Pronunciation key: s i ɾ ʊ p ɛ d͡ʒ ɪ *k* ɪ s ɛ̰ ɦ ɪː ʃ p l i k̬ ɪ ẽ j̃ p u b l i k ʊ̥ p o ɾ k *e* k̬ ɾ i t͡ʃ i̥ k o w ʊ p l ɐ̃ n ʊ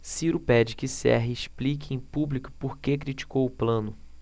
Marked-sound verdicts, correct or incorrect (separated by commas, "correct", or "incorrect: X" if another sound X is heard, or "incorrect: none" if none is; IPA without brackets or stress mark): correct, correct